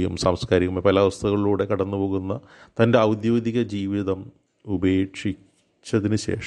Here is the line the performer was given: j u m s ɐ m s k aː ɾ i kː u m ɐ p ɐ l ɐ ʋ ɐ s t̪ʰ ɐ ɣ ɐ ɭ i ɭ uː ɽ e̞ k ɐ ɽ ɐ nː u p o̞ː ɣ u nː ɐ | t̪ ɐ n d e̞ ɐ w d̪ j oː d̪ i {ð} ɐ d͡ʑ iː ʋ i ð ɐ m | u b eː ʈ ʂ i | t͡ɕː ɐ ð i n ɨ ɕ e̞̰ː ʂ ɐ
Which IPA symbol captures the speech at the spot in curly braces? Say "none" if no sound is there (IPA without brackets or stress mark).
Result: ɣ